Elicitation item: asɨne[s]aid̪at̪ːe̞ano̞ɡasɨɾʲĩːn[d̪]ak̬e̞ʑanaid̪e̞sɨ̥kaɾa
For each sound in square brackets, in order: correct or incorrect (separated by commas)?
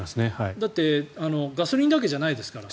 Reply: incorrect, correct